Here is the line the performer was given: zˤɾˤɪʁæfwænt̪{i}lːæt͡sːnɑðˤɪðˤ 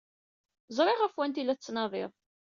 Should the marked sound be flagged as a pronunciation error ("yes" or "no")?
no